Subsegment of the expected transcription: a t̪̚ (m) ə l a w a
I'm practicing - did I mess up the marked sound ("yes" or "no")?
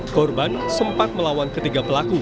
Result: no